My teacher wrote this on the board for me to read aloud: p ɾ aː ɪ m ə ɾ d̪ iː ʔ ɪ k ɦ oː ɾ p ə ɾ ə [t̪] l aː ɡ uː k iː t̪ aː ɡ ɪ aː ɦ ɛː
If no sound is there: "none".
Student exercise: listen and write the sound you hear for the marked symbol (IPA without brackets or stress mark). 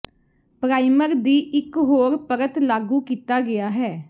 t̪